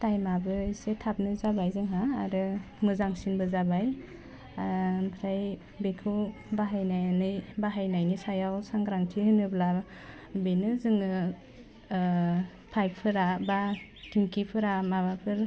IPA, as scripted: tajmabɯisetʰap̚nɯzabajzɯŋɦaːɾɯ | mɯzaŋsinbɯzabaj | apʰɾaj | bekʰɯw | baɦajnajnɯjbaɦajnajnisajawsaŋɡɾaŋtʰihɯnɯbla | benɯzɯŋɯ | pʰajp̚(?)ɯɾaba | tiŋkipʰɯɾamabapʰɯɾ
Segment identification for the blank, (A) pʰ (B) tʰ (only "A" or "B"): A